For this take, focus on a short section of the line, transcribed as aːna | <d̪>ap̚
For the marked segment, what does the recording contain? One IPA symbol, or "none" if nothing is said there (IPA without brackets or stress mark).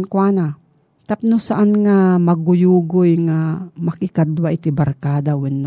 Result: t̪